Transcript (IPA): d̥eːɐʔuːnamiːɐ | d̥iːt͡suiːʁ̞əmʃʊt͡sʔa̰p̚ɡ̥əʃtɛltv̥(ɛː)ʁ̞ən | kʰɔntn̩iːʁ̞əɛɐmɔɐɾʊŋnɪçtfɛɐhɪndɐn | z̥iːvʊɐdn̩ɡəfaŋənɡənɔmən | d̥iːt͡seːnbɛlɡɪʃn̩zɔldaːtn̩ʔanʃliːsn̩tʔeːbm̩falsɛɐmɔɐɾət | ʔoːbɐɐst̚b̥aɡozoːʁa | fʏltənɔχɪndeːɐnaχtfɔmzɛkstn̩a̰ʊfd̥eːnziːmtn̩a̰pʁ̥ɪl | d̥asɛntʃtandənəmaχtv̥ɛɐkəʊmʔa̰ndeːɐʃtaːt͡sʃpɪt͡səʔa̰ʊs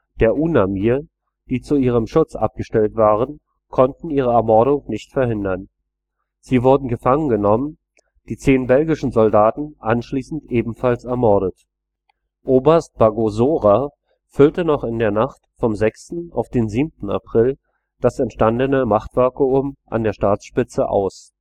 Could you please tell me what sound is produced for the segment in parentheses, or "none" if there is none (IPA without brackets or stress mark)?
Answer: aː